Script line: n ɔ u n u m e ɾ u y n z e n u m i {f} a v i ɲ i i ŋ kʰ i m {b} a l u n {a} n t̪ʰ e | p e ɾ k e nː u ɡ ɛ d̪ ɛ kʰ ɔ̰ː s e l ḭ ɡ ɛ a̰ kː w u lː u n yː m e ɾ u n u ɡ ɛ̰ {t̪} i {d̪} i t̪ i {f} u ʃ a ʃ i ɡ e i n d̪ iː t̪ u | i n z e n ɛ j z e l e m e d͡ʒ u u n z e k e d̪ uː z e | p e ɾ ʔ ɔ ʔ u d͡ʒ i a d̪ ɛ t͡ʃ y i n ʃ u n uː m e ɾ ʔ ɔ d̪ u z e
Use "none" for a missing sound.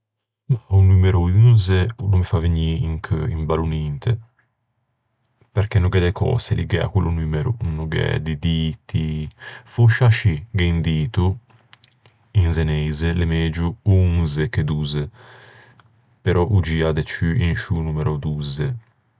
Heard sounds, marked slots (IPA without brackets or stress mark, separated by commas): f, b, i, d̪, d̪, f